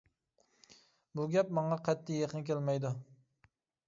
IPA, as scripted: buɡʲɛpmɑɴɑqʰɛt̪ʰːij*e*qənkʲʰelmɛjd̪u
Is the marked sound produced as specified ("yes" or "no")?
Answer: yes